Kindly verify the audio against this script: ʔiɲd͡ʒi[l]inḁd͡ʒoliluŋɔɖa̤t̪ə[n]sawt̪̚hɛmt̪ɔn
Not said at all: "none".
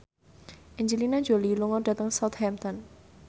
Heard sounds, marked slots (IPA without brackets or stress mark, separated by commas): l, ŋ